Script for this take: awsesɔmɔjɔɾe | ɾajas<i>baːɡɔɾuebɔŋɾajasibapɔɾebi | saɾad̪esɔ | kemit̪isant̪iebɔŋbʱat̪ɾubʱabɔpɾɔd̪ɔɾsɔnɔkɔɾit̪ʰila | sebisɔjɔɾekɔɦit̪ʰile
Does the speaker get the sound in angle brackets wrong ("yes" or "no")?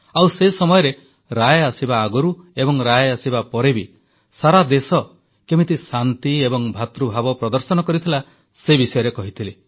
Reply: no